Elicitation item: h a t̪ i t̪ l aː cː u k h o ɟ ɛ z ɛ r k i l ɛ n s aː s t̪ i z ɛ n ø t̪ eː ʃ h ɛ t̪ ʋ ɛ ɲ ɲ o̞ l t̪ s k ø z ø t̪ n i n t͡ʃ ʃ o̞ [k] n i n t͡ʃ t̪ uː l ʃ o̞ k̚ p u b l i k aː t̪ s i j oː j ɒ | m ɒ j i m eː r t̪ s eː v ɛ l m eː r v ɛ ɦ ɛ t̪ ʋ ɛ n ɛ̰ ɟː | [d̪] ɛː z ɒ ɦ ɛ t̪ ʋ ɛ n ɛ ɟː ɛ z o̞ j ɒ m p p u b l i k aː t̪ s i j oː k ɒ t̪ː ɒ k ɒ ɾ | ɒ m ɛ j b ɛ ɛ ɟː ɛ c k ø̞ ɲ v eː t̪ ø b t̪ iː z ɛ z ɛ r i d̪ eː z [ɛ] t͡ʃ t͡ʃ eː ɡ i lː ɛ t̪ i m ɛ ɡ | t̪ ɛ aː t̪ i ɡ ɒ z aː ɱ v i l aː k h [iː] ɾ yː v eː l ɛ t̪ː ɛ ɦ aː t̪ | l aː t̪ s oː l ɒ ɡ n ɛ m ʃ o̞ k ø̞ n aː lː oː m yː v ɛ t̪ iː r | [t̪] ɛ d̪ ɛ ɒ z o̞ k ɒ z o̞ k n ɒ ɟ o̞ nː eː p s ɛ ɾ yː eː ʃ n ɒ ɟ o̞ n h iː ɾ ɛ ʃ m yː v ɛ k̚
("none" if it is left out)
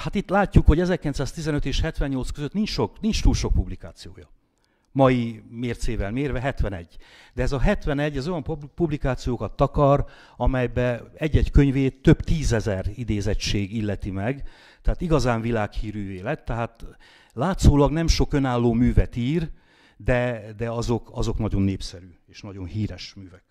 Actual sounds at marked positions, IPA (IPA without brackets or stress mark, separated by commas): k, d̪, ɛ, iː, d̪